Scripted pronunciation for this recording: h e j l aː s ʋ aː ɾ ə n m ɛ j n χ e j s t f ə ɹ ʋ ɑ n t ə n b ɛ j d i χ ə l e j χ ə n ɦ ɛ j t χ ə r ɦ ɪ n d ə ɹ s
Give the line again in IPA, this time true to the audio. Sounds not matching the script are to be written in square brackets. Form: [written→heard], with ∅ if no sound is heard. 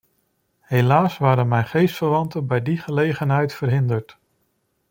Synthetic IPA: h e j l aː s ʋ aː ɾ ə n m ɛ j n χ e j s t f ə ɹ ʋ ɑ n t ə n b ɛ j d i χ ə l e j χ ə n ɦ ɛ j t [χ→f] ə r ɦ ɪ n d ə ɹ [s→t]